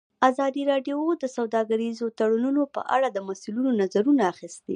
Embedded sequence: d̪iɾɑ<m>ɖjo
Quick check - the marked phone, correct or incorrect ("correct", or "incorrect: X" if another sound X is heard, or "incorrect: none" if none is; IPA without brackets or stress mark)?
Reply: incorrect: none